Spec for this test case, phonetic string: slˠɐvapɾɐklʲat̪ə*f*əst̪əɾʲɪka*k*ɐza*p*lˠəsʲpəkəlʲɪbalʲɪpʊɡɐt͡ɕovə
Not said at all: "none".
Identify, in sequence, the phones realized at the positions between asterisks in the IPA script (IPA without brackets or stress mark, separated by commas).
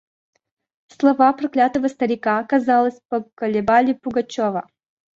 v, k, none